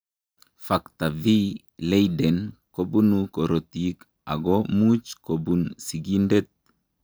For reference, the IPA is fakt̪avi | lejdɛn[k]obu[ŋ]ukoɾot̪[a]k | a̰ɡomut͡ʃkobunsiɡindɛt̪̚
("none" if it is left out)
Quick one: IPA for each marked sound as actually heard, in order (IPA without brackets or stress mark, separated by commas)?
k, n, i